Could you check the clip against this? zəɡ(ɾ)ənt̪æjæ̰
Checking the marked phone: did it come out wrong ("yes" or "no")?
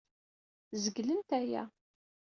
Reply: yes